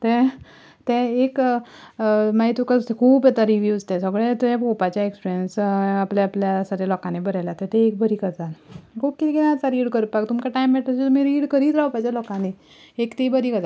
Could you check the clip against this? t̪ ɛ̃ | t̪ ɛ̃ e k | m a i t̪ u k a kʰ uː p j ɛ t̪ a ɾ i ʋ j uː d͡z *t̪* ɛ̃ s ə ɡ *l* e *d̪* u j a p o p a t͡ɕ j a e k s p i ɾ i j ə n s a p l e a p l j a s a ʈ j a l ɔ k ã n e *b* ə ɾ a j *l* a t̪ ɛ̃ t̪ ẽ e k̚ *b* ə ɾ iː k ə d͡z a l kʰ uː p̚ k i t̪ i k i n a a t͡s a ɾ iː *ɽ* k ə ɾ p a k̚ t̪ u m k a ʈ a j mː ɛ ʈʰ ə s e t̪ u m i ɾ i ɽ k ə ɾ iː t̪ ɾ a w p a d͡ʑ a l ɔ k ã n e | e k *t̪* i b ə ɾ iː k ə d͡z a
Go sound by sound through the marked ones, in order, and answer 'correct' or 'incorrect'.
correct, incorrect: ɭ, incorrect: t̪, correct, correct, correct, correct, correct

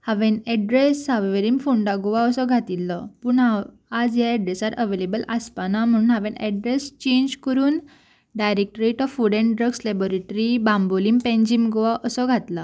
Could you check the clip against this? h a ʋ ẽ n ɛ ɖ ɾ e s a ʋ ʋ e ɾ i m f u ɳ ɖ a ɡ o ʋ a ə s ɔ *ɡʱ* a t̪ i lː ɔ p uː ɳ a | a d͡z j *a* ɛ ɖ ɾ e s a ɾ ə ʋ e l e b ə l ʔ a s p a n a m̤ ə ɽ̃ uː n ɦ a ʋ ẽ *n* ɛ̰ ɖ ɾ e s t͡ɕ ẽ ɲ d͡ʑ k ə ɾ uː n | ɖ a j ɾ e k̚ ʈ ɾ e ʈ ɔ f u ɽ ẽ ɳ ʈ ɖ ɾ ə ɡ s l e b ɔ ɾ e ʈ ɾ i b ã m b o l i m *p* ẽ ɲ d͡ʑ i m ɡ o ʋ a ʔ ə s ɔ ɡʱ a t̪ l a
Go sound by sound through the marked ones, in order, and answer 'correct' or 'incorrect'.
correct, correct, correct, correct

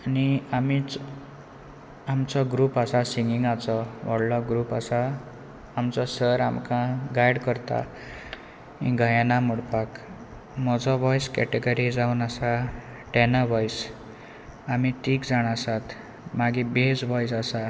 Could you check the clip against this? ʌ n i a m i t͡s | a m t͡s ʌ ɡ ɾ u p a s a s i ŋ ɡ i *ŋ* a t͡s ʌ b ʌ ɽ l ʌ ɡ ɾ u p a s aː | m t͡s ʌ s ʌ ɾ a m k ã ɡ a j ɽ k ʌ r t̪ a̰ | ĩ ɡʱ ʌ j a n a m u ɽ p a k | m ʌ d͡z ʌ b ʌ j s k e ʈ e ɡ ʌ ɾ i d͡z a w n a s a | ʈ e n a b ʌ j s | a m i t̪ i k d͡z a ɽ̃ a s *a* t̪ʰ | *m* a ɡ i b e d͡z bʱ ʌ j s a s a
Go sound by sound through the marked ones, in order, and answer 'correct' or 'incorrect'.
correct, correct, correct

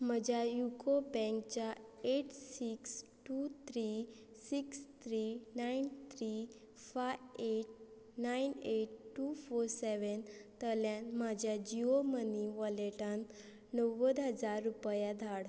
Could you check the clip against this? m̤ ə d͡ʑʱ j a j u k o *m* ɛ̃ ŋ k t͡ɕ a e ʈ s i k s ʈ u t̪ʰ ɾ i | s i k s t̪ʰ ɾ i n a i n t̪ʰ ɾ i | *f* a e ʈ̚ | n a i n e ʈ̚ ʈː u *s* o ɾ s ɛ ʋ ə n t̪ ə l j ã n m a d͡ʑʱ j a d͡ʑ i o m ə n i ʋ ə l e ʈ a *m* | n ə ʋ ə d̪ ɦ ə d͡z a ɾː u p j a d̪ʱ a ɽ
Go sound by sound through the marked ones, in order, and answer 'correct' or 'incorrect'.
incorrect: b, correct, incorrect: f, incorrect: n

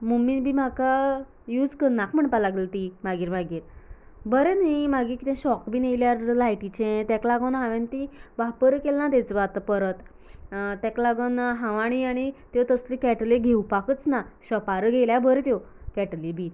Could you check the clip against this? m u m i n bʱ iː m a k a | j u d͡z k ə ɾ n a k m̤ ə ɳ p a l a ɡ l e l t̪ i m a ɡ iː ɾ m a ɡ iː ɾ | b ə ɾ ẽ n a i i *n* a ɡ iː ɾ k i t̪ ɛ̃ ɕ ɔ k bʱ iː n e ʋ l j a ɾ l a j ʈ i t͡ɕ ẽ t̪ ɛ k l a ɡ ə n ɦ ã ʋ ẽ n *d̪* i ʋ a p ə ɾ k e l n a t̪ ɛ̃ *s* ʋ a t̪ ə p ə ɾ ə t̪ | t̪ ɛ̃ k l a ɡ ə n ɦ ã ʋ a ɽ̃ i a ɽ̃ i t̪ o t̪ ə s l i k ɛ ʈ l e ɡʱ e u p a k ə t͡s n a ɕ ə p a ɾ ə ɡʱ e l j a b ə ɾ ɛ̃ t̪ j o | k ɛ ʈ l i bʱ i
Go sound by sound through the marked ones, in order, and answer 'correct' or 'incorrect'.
incorrect: m, incorrect: t̪, incorrect: t͡s

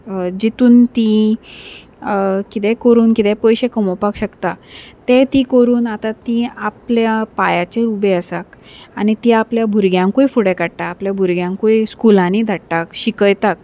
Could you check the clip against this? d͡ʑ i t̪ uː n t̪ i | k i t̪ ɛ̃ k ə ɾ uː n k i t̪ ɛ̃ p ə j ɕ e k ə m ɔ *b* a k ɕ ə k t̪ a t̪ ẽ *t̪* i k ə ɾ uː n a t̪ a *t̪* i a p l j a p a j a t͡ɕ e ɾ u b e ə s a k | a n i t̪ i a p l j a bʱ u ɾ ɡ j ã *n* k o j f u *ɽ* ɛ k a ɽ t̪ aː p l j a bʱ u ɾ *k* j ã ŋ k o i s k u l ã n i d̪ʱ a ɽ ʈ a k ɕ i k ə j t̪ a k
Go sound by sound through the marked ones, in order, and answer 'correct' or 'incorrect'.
incorrect: p, correct, correct, incorrect: ŋ, correct, incorrect: ɡ

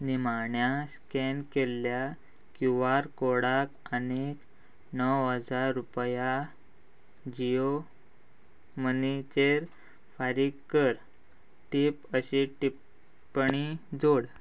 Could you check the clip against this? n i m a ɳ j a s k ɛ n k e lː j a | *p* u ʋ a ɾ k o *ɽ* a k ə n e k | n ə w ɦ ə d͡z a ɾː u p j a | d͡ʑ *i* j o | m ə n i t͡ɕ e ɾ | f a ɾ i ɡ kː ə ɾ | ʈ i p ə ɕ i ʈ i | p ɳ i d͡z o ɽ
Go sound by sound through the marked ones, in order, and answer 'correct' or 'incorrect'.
incorrect: k, correct, correct

